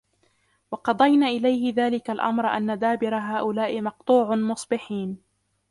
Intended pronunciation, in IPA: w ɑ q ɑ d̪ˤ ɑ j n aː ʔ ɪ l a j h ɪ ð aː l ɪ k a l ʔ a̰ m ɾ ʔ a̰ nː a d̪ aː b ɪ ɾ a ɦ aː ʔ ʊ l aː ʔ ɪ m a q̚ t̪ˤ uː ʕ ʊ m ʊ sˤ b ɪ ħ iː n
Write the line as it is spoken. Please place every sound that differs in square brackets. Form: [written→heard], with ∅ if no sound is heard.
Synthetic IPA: w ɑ q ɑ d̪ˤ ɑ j n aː ʔ ɪ l a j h ɪ ð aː l ɪ k a l ʔ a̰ m ɾ ʔ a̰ nː a d̪ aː b ɪ ɾ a ɦ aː ʔ ʊ l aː ʔ ɪ m [a→ɑ] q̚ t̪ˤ uː ʕ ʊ m ʊ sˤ b ɪ ħ iː n